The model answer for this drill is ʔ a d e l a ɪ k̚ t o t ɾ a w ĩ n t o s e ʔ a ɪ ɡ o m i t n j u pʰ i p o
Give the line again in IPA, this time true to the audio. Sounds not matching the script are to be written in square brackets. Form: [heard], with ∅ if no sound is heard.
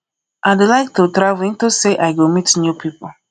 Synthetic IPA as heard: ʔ a d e l a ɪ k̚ t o t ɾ a [v] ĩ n t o s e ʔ a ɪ ɡ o m i t n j u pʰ i p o